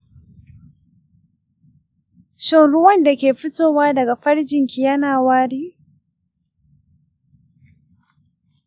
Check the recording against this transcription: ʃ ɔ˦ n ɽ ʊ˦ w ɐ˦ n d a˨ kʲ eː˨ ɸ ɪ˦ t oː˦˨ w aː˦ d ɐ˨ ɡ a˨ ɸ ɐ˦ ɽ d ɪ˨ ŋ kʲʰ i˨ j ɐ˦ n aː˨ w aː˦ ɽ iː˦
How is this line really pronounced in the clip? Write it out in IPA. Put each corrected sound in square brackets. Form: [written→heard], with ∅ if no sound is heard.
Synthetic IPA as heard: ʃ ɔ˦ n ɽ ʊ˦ w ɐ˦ n d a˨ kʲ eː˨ ɸ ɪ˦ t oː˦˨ w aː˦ d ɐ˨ ɡ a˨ ɸ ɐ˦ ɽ [d→d͡ʒ] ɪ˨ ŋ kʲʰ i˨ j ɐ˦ n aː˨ w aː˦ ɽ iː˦